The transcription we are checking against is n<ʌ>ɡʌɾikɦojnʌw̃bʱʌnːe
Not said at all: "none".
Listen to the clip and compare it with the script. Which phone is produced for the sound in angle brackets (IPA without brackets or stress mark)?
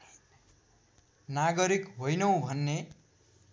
a